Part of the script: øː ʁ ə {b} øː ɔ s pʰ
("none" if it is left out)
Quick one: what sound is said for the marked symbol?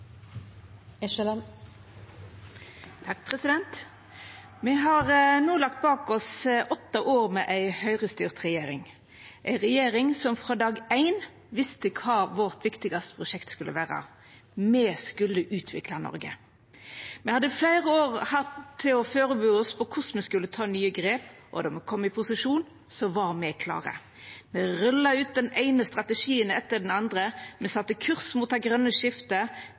b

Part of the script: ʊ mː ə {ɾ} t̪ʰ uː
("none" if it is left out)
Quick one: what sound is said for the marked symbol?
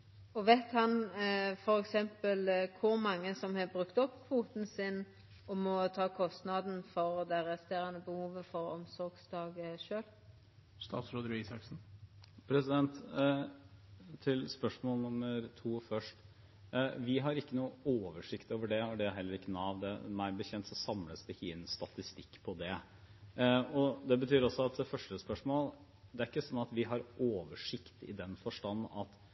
ɾ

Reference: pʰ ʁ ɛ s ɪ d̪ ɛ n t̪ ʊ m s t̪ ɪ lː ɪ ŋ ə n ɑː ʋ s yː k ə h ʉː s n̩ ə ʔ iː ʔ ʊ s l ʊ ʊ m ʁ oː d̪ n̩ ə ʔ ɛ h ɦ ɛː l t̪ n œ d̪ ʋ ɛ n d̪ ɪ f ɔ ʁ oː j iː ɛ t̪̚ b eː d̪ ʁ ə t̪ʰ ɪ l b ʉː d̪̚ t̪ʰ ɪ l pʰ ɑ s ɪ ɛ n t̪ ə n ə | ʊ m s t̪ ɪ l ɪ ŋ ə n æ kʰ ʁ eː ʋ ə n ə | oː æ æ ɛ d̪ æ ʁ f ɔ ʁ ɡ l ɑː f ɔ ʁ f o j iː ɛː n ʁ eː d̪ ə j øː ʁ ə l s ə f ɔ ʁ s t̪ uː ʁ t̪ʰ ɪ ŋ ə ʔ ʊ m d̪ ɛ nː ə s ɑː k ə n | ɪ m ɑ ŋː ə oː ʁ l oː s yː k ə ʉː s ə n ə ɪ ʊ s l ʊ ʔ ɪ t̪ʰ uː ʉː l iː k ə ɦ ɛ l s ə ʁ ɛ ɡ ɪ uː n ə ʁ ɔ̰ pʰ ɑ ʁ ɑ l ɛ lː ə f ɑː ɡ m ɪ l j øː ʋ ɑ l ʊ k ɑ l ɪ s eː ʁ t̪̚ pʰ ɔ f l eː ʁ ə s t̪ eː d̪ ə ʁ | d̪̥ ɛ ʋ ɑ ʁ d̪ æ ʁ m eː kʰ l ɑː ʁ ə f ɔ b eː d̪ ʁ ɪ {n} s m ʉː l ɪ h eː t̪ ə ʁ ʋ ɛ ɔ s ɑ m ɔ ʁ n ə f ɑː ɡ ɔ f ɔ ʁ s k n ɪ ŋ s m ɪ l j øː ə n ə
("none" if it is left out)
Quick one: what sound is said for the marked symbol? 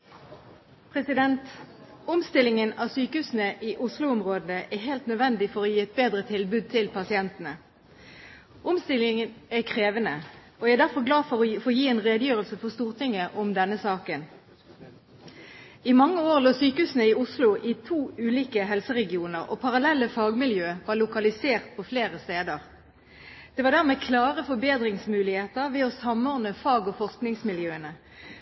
ŋ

